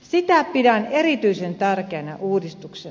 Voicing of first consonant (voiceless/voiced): voiceless